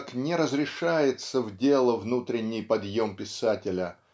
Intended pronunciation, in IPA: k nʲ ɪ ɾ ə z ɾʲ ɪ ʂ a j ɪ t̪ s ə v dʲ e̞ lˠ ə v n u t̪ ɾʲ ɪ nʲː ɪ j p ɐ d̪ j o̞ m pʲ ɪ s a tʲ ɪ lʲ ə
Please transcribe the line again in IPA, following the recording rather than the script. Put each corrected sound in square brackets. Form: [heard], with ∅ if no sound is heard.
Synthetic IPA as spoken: k nʲ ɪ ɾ ə z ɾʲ ɪ ʂ a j ɪ t̪ s ə v dʲ e̞ lˠ ə v n u t̪ ɾʲ ɪ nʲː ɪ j p ɐ d̪ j o̞ m pʲ ɪ s a tʲ ɪ lʲ ə